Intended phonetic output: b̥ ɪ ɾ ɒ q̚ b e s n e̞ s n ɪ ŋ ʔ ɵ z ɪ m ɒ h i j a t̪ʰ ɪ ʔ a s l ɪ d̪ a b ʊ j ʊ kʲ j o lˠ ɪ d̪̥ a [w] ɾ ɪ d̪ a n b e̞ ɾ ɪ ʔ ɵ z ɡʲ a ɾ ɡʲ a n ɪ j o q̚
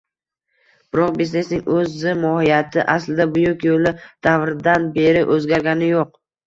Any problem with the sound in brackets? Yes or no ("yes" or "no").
yes